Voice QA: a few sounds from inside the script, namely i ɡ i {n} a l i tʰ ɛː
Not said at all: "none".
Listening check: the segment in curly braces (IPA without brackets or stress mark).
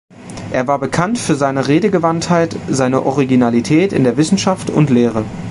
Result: n